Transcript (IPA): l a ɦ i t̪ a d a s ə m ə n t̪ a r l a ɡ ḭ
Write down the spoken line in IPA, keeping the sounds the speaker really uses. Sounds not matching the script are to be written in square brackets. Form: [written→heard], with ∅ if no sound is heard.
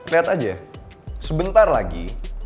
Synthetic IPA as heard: l [a→i] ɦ [i→a] t̪ a [d→d͡ʒ] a s ə [m→b] ə n t̪ a r l a ɡ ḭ